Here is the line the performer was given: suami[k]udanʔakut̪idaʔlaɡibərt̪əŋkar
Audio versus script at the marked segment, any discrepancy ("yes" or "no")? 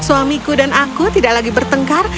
no